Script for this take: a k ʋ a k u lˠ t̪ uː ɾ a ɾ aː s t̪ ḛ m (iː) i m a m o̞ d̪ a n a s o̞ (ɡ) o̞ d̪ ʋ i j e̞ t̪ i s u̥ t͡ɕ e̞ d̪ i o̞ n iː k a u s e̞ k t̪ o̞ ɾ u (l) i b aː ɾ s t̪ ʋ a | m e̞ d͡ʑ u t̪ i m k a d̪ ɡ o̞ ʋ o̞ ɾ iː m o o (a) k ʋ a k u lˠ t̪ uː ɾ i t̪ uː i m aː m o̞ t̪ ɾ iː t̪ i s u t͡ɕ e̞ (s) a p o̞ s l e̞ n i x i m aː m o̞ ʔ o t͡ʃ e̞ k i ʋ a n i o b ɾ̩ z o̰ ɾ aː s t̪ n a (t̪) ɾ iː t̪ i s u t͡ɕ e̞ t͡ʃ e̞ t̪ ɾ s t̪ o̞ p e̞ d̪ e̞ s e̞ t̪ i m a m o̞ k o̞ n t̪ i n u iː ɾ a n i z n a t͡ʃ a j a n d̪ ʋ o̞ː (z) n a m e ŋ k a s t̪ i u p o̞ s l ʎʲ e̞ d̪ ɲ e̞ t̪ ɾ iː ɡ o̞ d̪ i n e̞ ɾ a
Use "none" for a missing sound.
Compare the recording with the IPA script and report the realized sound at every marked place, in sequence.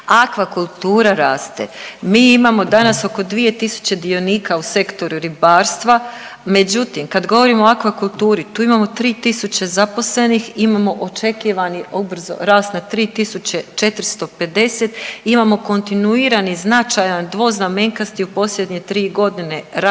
iː, k, ɾ, a, z, t̪, z

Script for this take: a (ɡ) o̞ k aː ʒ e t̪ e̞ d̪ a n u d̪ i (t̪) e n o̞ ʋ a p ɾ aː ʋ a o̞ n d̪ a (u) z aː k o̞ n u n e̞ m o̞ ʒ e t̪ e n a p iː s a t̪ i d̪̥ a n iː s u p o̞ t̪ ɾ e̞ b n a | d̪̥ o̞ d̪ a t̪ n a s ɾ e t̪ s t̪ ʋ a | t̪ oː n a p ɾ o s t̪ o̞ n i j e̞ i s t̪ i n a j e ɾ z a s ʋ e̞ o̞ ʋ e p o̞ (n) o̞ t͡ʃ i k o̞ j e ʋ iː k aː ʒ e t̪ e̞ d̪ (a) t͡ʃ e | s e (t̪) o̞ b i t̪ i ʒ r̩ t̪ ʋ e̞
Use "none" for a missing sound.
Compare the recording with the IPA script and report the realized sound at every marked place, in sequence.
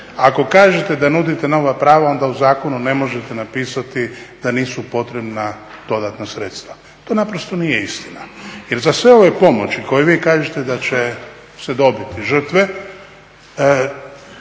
k, t̪, u, m, a, d̪

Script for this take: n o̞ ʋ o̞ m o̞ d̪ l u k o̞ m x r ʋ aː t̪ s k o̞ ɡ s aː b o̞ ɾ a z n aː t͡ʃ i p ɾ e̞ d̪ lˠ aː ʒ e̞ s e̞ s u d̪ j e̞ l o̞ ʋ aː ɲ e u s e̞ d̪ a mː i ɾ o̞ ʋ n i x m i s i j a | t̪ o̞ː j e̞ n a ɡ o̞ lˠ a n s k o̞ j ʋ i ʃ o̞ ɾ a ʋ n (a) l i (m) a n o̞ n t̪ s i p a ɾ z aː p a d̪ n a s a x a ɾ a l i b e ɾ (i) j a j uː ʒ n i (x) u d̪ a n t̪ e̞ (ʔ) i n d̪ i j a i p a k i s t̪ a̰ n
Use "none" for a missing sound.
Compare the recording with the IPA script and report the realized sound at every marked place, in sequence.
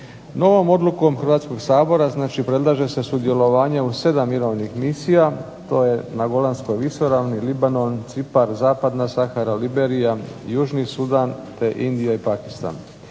i, b, i, s, ʔ

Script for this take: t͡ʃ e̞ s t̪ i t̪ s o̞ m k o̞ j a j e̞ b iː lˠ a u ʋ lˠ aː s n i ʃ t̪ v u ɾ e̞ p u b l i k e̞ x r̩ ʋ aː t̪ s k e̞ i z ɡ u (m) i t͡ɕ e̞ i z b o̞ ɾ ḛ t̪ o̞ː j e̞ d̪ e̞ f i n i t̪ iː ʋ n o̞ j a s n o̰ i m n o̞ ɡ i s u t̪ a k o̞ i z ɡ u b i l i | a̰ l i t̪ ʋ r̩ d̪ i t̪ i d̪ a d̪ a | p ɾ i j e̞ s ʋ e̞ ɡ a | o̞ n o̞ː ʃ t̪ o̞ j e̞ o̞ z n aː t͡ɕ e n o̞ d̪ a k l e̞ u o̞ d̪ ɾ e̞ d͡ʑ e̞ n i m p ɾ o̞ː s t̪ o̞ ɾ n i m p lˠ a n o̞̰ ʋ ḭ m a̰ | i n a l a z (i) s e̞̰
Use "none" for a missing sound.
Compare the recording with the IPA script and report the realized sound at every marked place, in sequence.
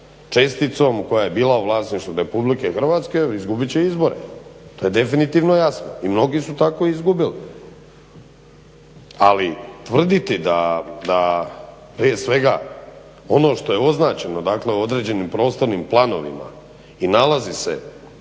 b, i

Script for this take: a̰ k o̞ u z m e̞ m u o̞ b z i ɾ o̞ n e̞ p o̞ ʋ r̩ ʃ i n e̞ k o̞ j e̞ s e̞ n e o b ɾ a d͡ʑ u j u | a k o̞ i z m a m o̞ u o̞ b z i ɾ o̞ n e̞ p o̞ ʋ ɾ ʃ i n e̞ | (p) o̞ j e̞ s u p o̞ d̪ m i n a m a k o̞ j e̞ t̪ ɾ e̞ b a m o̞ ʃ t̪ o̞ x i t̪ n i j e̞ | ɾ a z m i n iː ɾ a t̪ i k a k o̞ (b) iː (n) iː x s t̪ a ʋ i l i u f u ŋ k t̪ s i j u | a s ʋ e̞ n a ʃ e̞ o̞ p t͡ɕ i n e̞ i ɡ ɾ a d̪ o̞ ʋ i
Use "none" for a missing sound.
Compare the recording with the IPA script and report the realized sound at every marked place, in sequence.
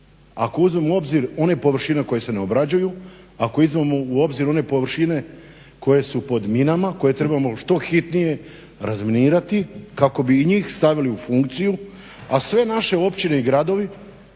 k, b, ɲ

